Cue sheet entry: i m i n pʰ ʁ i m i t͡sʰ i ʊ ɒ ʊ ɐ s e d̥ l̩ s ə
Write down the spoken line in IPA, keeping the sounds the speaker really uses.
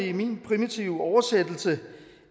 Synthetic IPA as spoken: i m i n pʰ ʁ i m i t͡sʰ i ʊ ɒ ʊ ɐ s e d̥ l̩ s ə